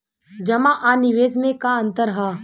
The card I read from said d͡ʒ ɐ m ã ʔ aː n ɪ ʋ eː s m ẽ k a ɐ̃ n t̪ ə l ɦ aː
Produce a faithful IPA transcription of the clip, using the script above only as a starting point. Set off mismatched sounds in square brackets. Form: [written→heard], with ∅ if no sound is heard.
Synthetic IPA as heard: d͡ʒ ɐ m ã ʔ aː n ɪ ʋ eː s m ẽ k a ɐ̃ n t̪ ə [l→ɾ] ɦ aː